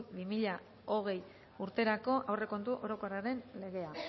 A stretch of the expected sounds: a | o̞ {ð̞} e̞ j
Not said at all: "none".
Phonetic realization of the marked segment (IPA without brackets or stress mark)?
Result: ɣ̞